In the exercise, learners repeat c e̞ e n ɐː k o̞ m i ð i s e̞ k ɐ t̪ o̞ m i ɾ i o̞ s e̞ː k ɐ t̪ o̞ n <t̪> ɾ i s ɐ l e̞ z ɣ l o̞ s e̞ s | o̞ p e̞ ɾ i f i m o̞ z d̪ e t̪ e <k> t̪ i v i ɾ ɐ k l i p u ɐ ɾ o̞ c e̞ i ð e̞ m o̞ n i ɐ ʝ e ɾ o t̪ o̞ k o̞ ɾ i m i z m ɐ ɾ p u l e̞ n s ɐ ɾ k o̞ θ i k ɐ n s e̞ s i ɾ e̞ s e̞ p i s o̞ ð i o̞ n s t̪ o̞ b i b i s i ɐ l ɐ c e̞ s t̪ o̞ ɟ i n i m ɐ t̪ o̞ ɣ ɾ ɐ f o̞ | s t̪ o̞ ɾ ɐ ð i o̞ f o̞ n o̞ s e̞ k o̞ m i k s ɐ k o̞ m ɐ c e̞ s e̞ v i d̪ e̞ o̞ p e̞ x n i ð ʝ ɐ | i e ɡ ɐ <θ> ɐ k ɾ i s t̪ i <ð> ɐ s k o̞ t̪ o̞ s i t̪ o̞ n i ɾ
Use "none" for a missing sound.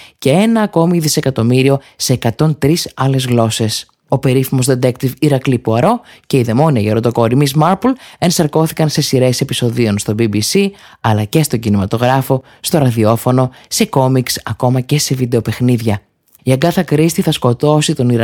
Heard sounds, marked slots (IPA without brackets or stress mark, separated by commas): t̪, k, θ, θ